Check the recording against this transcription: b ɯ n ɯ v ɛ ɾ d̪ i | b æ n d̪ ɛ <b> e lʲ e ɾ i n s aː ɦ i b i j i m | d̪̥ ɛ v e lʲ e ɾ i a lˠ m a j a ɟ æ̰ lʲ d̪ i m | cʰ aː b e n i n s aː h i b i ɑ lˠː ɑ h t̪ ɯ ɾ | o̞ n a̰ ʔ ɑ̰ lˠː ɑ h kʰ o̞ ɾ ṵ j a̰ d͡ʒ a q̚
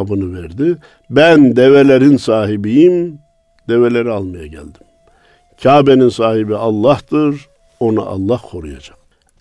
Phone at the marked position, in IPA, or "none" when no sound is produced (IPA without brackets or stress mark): v